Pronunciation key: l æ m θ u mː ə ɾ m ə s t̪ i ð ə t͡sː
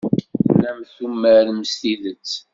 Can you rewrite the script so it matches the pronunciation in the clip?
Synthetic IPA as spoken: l æ m θ u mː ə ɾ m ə s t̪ i ð ə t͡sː